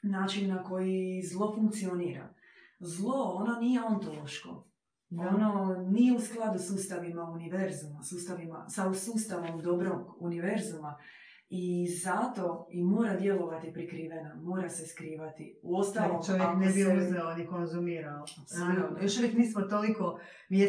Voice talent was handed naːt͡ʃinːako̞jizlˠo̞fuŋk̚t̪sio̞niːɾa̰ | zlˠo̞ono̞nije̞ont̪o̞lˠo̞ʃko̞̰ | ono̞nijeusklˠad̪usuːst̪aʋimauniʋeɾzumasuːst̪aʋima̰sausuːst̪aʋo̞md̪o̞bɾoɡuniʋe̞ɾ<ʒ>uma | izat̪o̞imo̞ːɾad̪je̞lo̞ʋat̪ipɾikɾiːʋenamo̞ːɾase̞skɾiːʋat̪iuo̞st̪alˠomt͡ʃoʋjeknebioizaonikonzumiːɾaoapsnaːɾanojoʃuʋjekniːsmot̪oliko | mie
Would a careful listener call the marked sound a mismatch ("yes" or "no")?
yes